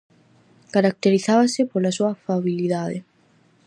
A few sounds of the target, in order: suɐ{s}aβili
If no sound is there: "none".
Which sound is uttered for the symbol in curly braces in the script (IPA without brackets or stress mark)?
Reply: f